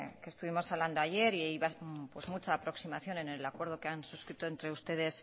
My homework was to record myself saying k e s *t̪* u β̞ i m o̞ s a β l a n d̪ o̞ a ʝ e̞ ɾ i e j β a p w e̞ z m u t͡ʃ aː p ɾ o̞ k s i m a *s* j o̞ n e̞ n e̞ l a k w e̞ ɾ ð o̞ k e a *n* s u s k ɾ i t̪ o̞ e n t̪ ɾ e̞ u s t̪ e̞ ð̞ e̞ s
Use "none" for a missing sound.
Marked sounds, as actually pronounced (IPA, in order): t̪, θ, n

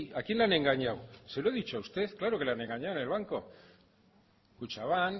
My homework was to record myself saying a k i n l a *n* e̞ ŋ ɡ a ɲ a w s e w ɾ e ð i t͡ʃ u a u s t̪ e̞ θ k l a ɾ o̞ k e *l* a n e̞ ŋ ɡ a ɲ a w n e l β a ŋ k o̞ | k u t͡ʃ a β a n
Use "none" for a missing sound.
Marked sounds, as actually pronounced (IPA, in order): n, l

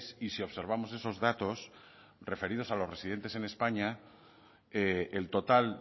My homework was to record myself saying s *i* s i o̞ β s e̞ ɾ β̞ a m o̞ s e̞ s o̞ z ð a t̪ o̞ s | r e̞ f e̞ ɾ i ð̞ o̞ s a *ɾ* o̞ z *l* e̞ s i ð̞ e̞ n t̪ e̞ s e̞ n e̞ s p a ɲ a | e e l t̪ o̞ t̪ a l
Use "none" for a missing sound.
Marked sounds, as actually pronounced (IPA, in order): i, l, r

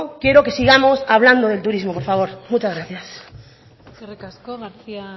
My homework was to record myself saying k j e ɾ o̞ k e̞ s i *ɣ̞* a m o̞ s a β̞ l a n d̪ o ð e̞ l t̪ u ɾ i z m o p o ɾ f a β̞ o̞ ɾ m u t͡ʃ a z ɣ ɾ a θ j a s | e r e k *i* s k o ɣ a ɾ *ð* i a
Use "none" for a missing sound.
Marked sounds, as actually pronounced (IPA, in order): ɣ̞, a, θ

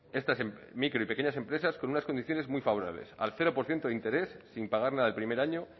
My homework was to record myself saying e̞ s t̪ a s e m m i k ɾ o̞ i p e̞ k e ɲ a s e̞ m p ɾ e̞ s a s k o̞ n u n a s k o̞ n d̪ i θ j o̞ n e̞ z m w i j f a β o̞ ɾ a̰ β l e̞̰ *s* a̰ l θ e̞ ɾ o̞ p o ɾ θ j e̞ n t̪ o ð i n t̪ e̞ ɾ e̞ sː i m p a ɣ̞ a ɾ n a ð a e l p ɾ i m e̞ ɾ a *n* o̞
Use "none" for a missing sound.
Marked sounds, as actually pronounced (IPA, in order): s, ɲ

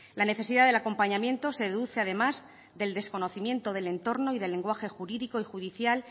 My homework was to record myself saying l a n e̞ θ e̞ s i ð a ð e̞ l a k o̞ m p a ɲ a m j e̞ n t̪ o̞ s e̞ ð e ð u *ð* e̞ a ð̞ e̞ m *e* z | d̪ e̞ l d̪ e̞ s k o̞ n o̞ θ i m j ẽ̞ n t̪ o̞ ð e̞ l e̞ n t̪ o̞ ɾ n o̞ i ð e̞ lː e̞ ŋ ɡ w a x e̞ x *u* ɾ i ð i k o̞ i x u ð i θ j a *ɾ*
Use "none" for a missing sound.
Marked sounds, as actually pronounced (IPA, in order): θ, a, u, l

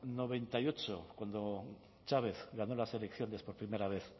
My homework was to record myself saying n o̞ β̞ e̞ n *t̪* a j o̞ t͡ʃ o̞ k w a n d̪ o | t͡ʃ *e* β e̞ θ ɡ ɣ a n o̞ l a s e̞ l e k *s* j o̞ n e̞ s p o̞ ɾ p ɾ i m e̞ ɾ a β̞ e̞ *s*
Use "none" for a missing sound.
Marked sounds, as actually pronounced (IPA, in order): t̪, a, θ, θ

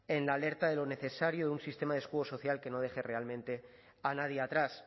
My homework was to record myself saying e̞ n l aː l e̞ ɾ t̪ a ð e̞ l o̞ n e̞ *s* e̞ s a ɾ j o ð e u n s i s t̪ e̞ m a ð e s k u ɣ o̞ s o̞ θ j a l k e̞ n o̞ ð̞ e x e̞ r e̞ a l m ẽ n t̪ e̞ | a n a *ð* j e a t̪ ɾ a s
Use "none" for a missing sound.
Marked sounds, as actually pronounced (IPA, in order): θ, ð

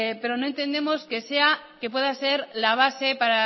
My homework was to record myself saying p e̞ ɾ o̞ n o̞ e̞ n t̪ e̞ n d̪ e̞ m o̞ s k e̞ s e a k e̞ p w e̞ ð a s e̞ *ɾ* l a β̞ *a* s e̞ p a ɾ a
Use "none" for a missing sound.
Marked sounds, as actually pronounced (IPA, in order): ɾ, a

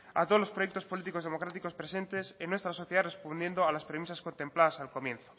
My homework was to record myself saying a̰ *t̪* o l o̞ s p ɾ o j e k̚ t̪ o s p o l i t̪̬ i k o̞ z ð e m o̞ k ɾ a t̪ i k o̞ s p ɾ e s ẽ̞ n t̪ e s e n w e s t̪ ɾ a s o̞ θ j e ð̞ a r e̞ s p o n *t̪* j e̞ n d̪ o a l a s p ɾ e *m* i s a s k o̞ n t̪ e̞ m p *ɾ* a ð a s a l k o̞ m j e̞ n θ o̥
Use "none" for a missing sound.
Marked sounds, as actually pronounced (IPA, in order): t̪, d̪, m, l

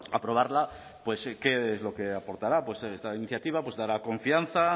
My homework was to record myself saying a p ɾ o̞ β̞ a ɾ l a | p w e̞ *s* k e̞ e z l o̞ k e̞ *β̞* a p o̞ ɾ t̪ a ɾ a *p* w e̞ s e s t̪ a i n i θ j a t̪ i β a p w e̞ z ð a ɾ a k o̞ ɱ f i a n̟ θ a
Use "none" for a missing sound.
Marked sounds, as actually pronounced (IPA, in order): s, none, p

